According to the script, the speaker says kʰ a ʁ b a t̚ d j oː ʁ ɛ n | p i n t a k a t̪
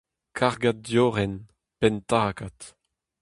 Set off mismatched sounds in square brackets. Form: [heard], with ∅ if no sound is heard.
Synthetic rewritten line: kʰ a ʁ [ɡ] a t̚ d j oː ʁ ɛ n | p [ɛ] n t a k a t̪

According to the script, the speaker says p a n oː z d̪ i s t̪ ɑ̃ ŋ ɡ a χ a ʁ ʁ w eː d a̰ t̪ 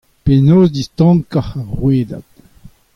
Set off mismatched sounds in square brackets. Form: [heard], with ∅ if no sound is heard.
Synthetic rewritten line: p [e] n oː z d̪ i s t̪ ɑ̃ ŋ [k] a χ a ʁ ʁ w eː d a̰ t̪

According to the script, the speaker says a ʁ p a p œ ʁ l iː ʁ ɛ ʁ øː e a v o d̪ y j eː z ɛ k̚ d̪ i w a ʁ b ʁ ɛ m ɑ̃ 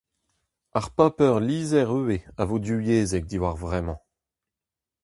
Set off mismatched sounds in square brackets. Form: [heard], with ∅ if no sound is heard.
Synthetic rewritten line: a ʁ p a p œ ʁ l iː [z] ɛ ʁ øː e a v o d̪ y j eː z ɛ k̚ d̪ i w a ʁ [v] ʁ ɛ m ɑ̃

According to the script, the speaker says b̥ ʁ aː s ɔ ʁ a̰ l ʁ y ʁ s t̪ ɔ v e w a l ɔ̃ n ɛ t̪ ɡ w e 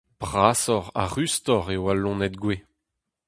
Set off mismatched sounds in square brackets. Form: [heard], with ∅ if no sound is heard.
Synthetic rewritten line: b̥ ʁ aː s ɔ ʁ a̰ [∅] ʁ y [∅] s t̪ ɔ [ʁ] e w a l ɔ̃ n ɛ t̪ ɡ w e

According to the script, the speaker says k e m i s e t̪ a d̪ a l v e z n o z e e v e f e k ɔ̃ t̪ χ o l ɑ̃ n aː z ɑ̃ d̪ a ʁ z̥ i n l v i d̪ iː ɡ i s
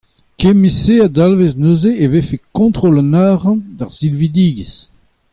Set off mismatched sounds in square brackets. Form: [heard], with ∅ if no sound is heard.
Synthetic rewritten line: k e m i s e [∅] a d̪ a l v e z n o z e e v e f e k ɔ̃ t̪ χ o l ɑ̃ n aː [ʁ] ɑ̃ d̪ a ʁ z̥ i [∅] l v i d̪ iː ɡ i s

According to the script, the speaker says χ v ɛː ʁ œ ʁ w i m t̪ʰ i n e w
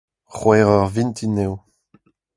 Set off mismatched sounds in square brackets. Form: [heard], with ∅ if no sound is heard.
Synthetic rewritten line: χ [w] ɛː ʁ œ ʁ [v] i [n] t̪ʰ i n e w

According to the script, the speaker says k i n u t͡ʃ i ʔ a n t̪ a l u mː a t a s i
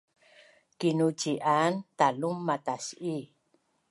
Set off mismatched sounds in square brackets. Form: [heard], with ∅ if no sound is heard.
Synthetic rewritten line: k i n u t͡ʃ i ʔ a n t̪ a l u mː a t a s i

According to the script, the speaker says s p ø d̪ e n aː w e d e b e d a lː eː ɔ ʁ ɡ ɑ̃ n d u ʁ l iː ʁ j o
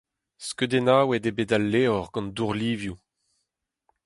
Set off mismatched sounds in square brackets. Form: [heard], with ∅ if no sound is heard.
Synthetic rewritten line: s [k] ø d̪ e n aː w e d e b e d a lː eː ɔ ʁ ɡ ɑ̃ n d u ʁ l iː [v] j [u]

